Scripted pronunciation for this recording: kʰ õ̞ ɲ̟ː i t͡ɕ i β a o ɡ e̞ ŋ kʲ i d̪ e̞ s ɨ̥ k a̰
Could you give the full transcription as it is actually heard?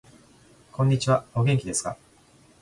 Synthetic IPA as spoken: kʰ õ̞ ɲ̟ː i t͡ɕ i β a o ɡ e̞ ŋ kʲ i d̪ e̞ s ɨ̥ k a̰